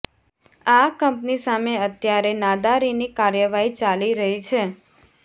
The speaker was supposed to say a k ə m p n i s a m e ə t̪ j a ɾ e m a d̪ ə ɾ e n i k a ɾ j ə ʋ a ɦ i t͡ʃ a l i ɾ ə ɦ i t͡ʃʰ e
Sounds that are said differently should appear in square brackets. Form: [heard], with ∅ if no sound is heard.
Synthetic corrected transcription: a k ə m p n i s a m e ə t̪ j a ɾ e [n] a d̪ [a] ɾ [i] n i k a ɾ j ə ʋ a ɦ i t͡ʃ a l i ɾ ə ɦ i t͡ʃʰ e

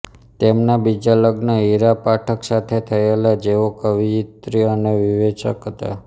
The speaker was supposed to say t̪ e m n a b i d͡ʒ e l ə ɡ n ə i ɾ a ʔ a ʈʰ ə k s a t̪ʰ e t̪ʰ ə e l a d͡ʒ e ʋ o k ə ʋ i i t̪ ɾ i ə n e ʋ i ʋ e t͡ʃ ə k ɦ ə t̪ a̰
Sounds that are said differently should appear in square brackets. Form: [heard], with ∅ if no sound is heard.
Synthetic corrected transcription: t̪ e m n a b i d͡ʒ [a] l ə ɡ n ə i ɾ a [p] a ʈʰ ə k s a t̪ʰ e t̪ʰ ə e l a d͡ʒ e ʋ o k ə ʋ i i t̪ ɾ i ə n e ʋ i ʋ e t͡ʃ ə k ɦ ə t̪ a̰

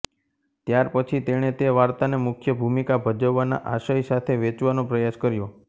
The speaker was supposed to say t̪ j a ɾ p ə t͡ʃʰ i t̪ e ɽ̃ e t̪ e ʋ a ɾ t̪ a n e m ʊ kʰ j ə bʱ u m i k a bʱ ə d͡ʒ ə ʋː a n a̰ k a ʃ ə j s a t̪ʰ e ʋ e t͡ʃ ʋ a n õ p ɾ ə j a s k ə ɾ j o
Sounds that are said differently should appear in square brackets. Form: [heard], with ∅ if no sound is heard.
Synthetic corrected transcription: t̪ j a ɾ p ə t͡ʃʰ i t̪ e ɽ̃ e t̪ e ʋ a ɾ t̪ a n e m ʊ kʰ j ə bʱ u m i k a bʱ ə d͡ʒ ə ʋː a n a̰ [ʔ] a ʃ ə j s a t̪ʰ e ʋ e t͡ʃ ʋ a n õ p ɾ ə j a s k ə ɾ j o

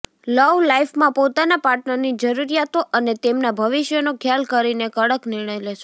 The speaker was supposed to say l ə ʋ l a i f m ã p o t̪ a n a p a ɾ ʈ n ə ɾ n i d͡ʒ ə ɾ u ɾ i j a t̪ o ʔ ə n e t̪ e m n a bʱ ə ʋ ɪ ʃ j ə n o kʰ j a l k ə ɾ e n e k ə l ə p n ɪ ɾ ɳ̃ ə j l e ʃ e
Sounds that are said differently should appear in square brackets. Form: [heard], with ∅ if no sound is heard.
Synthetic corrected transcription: l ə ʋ l a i f m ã p o t̪ a n a p a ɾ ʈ n ə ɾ n i d͡ʒ ə ɾ u ɾ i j a t̪ o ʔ ə n e t̪ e m n a bʱ ə ʋ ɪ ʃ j ə n o kʰ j a l k ə ɾ [i] n e k ə [ɽ] ə [k] n ɪ ɾ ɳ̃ ə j l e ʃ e

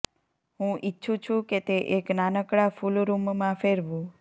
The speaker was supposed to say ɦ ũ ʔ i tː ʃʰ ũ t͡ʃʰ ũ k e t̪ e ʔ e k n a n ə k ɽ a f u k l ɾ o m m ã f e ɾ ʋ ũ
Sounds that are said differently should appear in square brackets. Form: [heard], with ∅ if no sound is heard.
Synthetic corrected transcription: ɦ ũ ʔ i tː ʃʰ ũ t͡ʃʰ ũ k e t̪ e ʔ e k n a n ə k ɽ a f u [∅] l ɾ [u] m m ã f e ɾ ʋ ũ

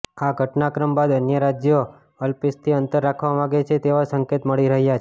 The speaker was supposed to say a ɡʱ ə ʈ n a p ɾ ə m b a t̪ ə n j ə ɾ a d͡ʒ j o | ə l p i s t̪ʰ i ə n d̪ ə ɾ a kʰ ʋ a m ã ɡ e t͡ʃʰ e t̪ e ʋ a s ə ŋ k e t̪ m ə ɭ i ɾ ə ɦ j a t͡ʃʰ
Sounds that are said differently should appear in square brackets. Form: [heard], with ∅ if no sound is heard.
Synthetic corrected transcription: a ɡʱ ə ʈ n a [k] ɾ ə m b a [d̪] ə n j ə ɾ a d͡ʒ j o | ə l p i s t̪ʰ i ə n [t̪] ə [ɾː] a kʰ ʋ a m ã ɡ e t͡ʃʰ e t̪ e ʋ a s ə ŋ k e t̪ m ə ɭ i ɾ ə ɦ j a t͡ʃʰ

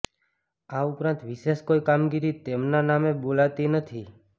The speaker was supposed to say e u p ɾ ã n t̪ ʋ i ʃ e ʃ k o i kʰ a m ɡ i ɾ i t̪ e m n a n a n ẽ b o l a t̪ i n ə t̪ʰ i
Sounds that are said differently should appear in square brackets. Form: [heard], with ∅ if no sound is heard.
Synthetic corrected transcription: [a] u p ɾ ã n t̪ ʋ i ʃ e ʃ k o i [k] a m ɡ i ɾ i t̪ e m n a n a [m] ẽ b o l a t̪ i n ə t̪ʰ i

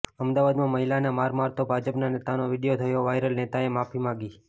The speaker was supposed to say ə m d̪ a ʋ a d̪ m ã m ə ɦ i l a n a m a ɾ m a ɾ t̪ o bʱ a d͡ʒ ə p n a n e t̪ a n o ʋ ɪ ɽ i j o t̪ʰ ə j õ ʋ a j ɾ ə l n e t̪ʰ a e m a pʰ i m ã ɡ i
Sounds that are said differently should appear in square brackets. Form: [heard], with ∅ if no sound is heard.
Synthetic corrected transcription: ə m d̪ a ʋ a d̪ m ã m ə ɦ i l a n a m a ɾ m a ɾ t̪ o bʱ a d͡ʒ ə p n a n e t̪ a n o ʋ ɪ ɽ i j o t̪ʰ ə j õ ʋ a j ɾ ə l n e [t̪] a e m a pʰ i m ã ɡ i

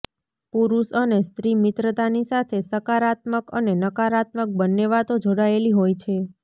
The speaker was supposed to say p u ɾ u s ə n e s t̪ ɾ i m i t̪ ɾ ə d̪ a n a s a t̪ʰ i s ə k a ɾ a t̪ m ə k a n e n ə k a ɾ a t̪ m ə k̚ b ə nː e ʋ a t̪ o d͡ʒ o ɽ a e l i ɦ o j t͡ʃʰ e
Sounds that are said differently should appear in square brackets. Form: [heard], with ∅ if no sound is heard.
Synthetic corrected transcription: p u ɾ u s ə n e s t̪ ɾ i m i t̪ ɾ ə [t̪] a n [i] s a t̪ʰ [e] s ə k a ɾ a t̪ m ə k [ə] n e n ə k a ɾ a t̪ m ə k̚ b ə nː e ʋ a t̪ o d͡ʒ o ɽ a e l i ɦ o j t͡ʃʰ e

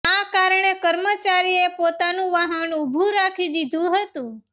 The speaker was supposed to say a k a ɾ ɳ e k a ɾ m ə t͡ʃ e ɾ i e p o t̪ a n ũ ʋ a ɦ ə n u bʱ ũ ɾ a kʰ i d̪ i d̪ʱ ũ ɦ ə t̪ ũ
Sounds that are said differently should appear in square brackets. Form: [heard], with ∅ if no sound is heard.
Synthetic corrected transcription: a k a ɾ ɳ e k [ə] ɾ m ə t͡ʃ [a] ɾ i e p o t̪ a n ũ ʋ a ɦ ə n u bʱ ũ ɾ a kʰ i d̪ i d̪ʱ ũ ɦ ə t̪ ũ

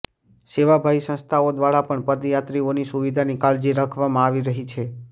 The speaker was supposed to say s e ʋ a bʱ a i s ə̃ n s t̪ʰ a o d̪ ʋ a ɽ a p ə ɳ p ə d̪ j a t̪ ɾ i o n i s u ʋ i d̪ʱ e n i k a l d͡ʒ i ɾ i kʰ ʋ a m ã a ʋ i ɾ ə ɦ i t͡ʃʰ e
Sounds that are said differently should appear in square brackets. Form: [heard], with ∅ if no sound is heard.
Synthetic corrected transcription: s e ʋ a bʱ a i s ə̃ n s t̪ʰ a o d̪ ʋ a ɽ a p ə ɳ p ə d̪ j a t̪ ɾ i o n i s u ʋ i d̪ʱ [a] n i k a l d͡ʒ i ɾ [a] kʰ ʋ a m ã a ʋ i ɾ ə ɦ i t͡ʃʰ e

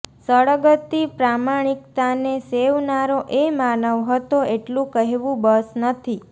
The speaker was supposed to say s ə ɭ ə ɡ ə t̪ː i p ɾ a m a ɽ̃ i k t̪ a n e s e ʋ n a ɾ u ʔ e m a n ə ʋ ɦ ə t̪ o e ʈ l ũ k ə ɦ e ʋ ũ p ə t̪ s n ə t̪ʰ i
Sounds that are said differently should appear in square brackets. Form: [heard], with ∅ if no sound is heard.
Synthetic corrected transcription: s ə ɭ ə ɡ ə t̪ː i p ɾ a m a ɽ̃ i k t̪ a n e s e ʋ n a ɾ [o] ʔ e m a n ə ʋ ɦ ə t̪ o e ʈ l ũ k ə ɦ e ʋ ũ [b] ə [∅] s n ə t̪ʰ i

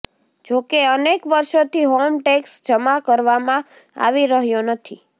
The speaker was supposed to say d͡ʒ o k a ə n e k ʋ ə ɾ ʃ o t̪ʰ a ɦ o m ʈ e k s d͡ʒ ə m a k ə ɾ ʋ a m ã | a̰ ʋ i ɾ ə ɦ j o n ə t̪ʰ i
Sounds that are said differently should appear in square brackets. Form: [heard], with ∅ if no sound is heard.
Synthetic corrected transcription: d͡ʒ o k [e] ə n e k ʋ ə ɾ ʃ o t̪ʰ [i] ɦ o m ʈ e k s d͡ʒ ə m a k ə ɾ ʋ a m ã | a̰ ʋ i ɾ ə ɦ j o n ə t̪ʰ i

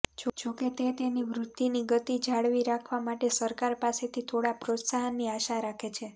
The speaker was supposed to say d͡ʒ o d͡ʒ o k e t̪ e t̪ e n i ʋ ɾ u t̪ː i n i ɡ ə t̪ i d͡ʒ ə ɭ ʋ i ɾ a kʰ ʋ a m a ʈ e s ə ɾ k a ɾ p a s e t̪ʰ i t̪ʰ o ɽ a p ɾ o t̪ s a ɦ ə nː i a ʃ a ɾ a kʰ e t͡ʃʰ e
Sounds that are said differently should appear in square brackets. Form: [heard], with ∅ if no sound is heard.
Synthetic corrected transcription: d͡ʒ o d͡ʒ o k e t̪ e t̪ e n i ʋ ɾ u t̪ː i n i ɡ ə t̪ i d͡ʒ [a] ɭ ʋ i ɾ a kʰ ʋ a m a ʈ e s ə ɾ k a ɾ p a s e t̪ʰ i t̪ʰ o ɽ a p ɾ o t̪ s a ɦ ə nː i a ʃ a ɾ a kʰ e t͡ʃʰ e

